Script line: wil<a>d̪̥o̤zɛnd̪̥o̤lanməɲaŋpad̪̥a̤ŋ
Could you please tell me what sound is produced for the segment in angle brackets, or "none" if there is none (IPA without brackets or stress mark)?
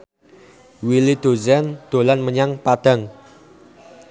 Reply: i